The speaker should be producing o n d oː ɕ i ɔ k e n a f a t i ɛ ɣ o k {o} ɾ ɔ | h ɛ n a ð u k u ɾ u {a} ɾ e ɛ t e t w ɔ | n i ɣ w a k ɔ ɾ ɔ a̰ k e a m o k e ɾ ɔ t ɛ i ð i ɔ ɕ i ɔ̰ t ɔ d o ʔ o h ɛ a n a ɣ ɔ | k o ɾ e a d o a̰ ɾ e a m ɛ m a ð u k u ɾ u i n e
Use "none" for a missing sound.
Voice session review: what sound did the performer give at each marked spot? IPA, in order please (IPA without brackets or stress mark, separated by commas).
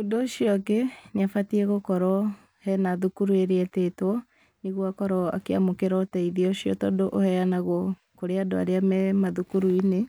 ɔ, e